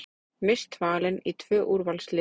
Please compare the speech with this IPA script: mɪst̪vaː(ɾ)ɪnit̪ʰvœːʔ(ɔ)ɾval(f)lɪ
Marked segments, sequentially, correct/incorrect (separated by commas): incorrect, incorrect, incorrect